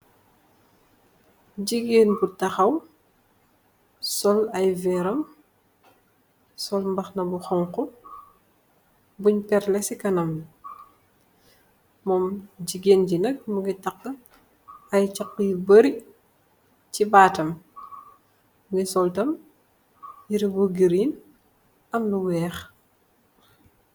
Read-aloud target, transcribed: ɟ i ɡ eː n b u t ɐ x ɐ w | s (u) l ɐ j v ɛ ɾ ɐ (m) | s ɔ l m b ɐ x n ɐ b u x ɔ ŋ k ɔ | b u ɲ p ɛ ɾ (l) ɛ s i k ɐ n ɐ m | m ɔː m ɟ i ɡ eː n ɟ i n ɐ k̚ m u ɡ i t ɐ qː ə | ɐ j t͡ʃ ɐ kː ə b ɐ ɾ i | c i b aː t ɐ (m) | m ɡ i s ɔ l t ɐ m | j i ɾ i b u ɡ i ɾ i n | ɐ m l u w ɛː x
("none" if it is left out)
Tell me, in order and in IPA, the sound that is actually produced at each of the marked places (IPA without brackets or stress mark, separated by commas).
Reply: ɔ, m, l, m